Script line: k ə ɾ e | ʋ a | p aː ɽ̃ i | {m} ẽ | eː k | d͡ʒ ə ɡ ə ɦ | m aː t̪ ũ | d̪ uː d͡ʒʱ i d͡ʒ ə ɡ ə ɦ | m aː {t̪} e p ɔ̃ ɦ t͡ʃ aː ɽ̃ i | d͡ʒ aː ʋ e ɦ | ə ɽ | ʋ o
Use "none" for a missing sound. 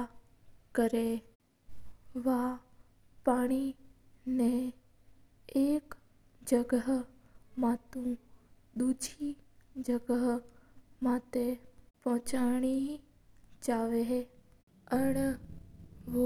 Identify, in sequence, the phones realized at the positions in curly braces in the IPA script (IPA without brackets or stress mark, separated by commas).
n, t̪